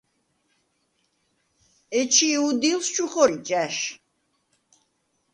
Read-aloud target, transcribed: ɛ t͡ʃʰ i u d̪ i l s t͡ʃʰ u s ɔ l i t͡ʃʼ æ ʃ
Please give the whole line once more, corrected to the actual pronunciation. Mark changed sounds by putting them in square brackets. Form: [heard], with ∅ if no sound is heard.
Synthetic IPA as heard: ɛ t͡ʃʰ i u d̪ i l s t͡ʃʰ u [χ] ɔ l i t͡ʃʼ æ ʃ